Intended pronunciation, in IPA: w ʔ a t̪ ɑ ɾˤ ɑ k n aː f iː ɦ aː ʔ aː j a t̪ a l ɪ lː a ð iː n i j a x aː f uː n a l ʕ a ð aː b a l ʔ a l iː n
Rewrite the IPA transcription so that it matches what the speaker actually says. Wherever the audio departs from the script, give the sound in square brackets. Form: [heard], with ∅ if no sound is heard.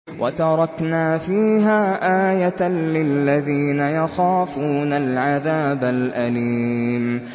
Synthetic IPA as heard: w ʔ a t̪ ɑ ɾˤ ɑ k n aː f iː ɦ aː ʔ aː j a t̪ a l ɪ lː a ð iː n [a] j a x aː f uː n a l ʕ a ð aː b a l ʔ a l iː [m]